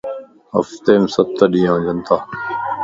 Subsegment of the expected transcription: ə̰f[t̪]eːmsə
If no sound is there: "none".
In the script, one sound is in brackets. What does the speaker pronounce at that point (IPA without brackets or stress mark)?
t̪